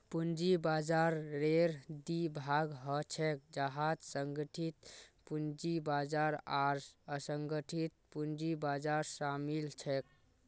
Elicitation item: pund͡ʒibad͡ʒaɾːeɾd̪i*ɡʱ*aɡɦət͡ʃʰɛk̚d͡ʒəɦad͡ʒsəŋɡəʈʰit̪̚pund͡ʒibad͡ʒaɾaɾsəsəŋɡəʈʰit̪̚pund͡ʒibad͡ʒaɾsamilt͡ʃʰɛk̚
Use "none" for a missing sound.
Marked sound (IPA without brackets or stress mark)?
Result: bʱ